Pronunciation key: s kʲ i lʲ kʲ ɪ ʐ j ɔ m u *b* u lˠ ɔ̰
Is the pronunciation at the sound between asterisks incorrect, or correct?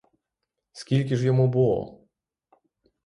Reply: correct